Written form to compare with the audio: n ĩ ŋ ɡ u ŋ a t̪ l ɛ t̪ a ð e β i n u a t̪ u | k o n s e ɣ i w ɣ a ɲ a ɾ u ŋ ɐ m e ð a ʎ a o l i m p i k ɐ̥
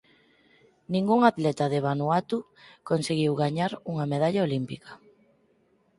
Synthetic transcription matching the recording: n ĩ ŋ ɡ u ŋ a t̪ l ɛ t̪ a ð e β a n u a t̪ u | k o n s e ɣ i w ɣ a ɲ a ɾ u ŋ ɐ m e ð a ʎ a o l i m p i k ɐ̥